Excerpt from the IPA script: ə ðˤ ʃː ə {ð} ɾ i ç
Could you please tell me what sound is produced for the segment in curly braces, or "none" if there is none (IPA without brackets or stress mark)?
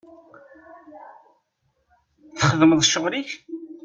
ʁ